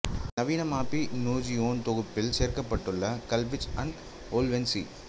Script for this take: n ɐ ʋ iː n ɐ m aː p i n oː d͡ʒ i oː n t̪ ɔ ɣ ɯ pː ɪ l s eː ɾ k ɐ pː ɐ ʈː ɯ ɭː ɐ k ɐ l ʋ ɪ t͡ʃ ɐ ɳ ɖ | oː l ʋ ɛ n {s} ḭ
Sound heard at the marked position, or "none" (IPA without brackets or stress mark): s